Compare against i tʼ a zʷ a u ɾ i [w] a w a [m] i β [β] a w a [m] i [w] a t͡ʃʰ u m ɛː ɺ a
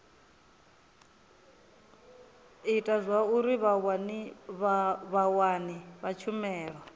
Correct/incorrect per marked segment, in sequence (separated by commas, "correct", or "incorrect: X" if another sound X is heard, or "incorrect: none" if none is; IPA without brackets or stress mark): incorrect: β, incorrect: n, correct, incorrect: n, incorrect: β